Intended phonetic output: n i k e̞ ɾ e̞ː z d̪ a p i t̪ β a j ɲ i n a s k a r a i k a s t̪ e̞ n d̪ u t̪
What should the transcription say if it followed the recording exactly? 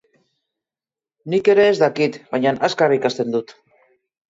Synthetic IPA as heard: n i k e̞ ɾ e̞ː z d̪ a k i t̪ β a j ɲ a n a s k a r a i k a s t̪ e̞ n d̪ u t̪